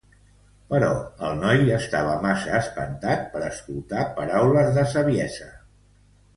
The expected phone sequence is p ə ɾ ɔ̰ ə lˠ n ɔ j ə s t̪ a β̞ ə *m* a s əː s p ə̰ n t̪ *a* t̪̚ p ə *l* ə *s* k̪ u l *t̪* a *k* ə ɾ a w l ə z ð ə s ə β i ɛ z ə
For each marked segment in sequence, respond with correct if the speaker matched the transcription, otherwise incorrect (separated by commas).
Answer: correct, correct, incorrect, correct, correct, incorrect